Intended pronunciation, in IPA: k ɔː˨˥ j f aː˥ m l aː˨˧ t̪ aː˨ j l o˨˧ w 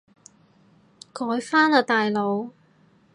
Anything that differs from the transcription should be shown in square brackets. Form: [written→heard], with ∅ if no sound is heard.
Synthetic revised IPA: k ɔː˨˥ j f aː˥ [m→n] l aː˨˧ t̪ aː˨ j l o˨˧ w